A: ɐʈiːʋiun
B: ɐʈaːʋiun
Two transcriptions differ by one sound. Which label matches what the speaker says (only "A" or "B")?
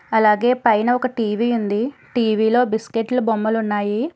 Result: A